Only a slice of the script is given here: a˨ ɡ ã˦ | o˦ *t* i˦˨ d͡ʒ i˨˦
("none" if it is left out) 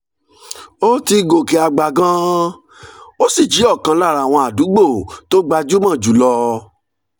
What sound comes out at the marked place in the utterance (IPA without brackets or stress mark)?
s